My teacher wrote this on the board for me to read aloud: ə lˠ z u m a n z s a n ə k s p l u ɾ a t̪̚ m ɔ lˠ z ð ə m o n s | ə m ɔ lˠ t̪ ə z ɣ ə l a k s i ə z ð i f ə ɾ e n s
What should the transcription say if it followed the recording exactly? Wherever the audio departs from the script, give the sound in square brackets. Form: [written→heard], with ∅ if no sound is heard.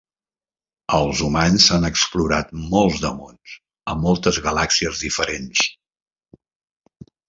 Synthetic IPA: ə lˠ z u m a n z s a n ə k s p l u ɾ a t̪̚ m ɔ lˠ z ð ə m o n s | ə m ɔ lˠ t̪ ə z ɣ ə l a k s i ə z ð i f ə ɾ e n s